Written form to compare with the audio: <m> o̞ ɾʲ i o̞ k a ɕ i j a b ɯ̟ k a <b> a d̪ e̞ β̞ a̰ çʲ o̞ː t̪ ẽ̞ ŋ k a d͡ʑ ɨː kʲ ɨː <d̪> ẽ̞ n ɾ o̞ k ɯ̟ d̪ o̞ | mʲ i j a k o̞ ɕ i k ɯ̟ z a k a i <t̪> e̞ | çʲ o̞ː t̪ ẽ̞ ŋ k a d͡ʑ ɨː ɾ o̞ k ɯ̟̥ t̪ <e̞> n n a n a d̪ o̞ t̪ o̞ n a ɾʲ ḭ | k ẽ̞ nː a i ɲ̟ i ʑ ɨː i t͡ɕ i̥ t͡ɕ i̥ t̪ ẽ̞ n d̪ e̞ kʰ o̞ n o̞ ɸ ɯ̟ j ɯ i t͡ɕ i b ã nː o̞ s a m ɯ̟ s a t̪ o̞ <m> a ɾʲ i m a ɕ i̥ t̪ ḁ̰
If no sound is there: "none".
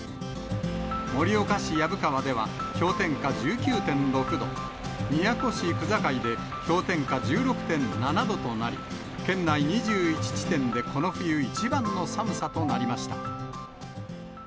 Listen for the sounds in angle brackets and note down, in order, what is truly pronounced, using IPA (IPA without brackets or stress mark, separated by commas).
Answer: m, β, t̪, d̪, ẽ̞, n